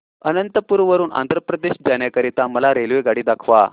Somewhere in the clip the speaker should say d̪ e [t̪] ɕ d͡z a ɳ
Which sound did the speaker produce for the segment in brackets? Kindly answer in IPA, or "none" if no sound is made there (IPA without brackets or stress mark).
none